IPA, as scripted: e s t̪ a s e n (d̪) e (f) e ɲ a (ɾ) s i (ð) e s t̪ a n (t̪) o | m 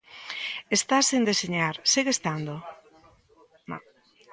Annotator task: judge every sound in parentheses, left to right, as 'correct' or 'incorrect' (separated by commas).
correct, incorrect, correct, incorrect, incorrect